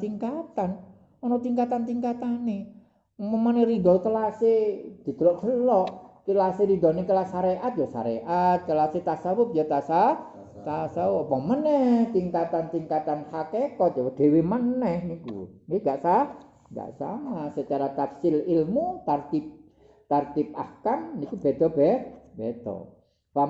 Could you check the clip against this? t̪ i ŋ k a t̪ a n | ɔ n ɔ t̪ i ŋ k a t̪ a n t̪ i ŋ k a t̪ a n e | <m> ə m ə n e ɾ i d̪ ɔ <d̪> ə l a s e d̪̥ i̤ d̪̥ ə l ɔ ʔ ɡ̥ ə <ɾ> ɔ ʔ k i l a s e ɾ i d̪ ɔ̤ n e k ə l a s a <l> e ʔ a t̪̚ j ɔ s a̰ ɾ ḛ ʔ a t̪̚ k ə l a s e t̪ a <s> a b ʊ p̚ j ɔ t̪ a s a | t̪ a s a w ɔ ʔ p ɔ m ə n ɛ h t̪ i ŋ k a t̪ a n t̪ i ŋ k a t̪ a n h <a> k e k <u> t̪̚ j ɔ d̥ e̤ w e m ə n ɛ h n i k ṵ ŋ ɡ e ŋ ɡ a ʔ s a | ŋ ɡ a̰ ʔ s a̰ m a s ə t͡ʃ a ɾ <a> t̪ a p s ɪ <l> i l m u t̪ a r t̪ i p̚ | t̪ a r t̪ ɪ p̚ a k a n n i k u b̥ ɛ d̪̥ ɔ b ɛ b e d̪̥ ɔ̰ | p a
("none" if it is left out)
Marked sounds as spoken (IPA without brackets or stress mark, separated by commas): m, t̪, l, ɾ, s, a, ɔ, a, l